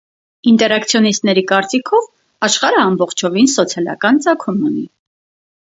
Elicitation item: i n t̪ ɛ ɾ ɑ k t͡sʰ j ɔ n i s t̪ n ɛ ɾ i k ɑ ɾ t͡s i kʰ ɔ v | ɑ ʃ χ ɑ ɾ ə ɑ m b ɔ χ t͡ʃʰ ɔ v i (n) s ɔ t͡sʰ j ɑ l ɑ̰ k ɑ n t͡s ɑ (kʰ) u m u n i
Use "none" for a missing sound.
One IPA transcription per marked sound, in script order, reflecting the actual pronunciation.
n, kʰ

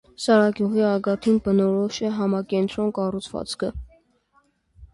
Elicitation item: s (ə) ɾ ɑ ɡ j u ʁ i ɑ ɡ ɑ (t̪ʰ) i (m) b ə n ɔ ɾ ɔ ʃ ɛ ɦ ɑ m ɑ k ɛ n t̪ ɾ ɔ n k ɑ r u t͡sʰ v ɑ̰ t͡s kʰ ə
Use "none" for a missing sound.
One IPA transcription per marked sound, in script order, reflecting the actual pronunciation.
ɑ, t̪ʰ, n

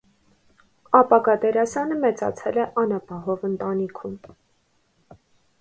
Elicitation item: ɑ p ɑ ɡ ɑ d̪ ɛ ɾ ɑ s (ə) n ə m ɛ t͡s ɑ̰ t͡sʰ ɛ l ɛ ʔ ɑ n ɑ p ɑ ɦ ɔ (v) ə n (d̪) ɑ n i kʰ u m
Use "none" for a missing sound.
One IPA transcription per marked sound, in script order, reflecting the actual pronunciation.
ɑ, v, t̪

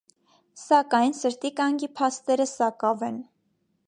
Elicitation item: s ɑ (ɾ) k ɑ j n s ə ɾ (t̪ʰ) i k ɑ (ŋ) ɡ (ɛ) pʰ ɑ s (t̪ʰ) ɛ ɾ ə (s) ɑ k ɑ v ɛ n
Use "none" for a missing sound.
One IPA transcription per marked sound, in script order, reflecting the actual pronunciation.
none, t̪, ŋ, i, t̪, s

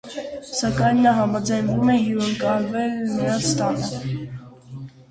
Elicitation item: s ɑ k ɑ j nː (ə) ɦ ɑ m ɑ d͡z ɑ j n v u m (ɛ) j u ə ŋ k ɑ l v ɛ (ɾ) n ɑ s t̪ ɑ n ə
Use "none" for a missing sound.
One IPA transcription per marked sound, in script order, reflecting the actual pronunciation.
ɑ, ɛ, l

